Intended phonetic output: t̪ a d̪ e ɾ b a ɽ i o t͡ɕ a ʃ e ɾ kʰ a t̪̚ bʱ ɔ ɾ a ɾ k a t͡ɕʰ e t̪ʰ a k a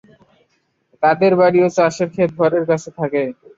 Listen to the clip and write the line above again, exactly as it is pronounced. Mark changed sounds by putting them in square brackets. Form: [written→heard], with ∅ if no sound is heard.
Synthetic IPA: t̪ a d̪ e ɾ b a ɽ i o t͡ɕ a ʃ e ɾ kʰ [a→e] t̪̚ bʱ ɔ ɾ [a→e] ɾ k a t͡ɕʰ e t̪ʰ a k [a→e]